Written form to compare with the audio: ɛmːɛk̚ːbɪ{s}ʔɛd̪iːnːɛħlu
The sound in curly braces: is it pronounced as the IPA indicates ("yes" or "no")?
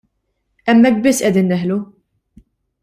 no